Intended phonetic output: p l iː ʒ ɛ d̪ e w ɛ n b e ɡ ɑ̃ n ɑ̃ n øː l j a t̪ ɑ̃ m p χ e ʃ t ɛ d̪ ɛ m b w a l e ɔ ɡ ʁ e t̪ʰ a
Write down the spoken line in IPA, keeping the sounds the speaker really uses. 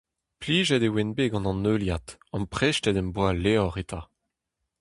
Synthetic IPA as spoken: p l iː ʒ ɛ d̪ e w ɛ n b e ɡ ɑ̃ n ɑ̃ n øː l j a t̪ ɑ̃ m p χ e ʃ t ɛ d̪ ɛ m b w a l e ɔ ʁ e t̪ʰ a